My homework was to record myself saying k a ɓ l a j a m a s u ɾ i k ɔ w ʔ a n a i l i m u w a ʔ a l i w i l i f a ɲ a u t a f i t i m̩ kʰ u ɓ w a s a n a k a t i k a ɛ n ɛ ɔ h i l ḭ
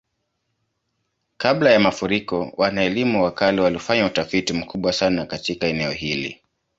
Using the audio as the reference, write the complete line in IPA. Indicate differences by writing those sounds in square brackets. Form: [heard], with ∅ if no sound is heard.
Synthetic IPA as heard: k a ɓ l a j a m a [f] u ɾ i k ɔ w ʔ a n a [ɛ] l i m u w a [k] a l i w [a] l i f a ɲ a u t a f i t i m̩ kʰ u ɓ w a s a n a k a t i k a ɛ n ɛ ɔ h i l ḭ